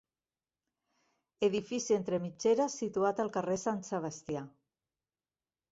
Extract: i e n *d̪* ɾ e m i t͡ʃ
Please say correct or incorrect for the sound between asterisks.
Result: incorrect